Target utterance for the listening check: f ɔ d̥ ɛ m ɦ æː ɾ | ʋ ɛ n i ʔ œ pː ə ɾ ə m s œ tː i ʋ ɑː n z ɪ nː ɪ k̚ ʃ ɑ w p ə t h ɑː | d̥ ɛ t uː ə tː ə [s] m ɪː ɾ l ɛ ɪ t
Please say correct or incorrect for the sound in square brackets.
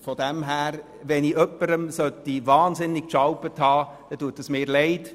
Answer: correct